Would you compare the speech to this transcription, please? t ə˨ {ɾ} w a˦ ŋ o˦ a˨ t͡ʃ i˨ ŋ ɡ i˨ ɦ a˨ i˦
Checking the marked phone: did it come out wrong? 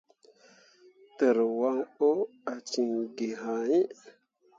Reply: no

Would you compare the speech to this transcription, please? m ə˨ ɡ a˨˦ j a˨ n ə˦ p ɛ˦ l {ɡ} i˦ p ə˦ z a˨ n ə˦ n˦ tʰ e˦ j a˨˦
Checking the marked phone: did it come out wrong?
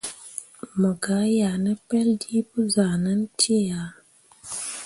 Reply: yes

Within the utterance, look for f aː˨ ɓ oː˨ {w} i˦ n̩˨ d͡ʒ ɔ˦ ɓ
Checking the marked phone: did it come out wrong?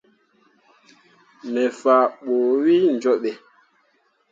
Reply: no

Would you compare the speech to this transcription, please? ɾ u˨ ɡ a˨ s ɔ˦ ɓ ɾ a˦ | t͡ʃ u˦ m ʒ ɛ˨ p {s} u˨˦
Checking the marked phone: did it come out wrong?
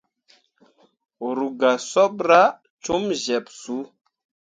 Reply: no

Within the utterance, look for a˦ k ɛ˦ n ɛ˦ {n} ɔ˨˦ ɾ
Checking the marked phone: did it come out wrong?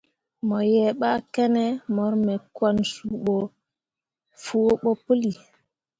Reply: yes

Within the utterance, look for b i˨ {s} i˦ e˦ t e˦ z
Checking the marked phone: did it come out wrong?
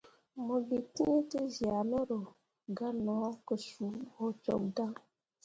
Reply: yes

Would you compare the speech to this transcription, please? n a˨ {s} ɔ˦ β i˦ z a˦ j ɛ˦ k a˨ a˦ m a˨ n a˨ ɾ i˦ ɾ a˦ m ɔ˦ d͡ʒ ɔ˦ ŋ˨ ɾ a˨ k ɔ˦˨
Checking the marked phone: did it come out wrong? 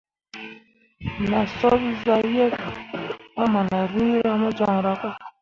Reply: no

